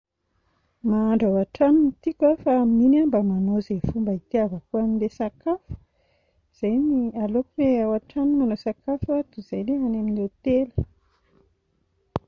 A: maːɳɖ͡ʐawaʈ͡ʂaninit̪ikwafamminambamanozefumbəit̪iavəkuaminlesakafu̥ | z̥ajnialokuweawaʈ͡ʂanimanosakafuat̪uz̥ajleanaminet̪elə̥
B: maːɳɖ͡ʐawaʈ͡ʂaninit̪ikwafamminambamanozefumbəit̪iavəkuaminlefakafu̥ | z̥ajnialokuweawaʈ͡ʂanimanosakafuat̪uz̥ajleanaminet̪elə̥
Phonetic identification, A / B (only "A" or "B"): A